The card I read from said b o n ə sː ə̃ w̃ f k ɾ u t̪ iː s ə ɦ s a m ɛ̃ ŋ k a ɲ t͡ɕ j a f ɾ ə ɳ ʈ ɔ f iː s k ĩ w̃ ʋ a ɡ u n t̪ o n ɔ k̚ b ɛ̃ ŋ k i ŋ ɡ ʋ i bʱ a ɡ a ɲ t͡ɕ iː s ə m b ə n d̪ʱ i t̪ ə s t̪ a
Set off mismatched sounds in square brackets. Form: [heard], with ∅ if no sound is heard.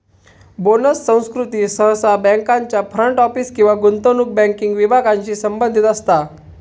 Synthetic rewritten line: b o n ə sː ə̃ w̃ [s] k ɾ u t̪ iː s ə ɦ s a [b] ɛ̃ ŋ k a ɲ t͡ɕ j a f ɾ ə ɳ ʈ ɔ f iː s k ĩ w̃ ʋ a ɡ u n t̪ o n [u] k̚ b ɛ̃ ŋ k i ŋ ɡ ʋ i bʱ a ɡ a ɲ t͡ɕ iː s ə m b ə n d̪ʱ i t̪ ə s t̪ a